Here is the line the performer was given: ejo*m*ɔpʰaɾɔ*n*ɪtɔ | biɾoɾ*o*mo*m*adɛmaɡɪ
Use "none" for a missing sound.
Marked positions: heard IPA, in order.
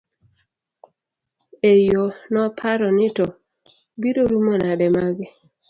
n, n, u, n

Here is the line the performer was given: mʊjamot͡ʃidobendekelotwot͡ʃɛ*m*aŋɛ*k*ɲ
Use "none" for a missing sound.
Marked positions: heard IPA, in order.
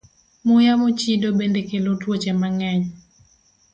m, none

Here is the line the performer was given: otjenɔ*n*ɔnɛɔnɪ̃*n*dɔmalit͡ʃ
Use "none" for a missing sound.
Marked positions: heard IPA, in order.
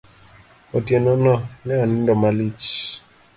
n, n

